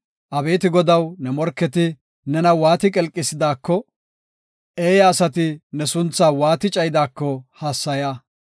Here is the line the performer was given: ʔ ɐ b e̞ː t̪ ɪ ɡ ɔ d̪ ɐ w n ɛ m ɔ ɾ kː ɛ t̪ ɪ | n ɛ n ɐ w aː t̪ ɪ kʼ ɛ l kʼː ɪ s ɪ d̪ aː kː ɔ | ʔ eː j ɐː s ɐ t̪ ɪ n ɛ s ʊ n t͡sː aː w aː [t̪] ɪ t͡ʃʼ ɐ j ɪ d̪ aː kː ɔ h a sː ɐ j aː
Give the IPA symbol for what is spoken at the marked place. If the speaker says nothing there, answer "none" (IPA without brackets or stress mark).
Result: t̪